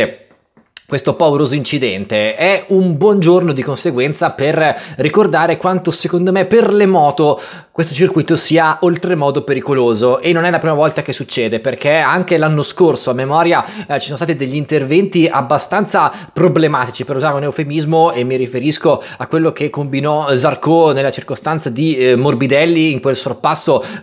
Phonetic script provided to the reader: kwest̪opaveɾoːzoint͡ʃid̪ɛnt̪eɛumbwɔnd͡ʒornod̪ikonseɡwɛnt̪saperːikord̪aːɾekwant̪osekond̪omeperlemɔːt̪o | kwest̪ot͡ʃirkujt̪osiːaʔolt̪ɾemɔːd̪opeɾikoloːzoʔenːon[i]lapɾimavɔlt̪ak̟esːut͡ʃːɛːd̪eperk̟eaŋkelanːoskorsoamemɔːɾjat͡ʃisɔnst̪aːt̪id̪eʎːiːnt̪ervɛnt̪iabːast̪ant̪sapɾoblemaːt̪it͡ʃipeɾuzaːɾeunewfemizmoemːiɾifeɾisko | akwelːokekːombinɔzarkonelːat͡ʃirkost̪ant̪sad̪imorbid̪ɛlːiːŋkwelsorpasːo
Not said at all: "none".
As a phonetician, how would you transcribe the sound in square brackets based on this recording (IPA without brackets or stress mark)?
ɛ